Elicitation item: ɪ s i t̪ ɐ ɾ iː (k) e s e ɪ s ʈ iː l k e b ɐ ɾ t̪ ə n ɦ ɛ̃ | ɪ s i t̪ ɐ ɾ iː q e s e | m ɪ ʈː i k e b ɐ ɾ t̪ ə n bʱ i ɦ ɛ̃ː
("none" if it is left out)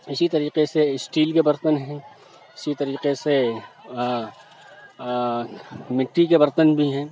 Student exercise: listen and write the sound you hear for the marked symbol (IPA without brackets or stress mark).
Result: q